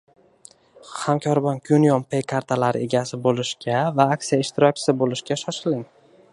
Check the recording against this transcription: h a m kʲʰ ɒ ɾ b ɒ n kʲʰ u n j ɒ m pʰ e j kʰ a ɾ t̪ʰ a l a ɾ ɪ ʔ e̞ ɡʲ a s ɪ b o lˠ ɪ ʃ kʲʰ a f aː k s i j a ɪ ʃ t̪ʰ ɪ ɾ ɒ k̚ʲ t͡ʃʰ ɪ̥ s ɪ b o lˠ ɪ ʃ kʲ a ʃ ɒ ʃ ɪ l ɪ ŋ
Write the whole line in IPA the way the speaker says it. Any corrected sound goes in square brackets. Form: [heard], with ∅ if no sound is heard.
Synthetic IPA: h a m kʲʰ ɒ ɾ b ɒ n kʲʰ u n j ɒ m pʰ e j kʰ a ɾ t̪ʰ a l a ɾ ɪ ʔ e̞ ɡʲ a s ɪ b o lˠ ɪ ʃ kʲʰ a [v] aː k s i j a ɪ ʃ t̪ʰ ɪ ɾ ɒ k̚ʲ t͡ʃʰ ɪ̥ s ɪ b o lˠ ɪ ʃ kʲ a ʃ ɒ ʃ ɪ l ɪ ŋ